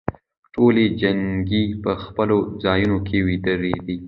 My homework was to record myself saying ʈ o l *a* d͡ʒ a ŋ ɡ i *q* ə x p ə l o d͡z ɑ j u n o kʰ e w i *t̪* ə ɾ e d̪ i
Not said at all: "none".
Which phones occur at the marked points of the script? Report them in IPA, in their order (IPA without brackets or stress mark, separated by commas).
e, p, d̪